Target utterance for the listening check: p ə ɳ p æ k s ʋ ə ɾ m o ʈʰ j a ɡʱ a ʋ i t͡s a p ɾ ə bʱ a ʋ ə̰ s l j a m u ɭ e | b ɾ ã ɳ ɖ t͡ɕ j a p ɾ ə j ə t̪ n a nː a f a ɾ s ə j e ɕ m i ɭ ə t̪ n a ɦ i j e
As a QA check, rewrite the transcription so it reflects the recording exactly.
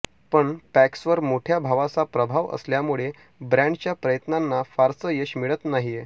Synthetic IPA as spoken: p ə ɳ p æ k s ʋ ə ɾ m o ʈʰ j a bʱ a ʋ a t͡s a p ɾ ə bʱ a ʋ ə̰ s l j a m u ɭ e | b ɾ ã ɳ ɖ t͡ɕ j a p ɾ ə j ə t̪ n a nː a f a ɾ s ə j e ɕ m i ɭ ə t̪ n a ɦ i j e